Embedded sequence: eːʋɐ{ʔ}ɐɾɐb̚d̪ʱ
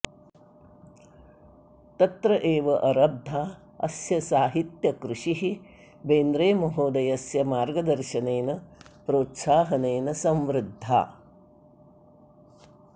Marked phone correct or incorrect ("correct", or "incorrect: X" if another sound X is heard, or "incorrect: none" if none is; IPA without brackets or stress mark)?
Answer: correct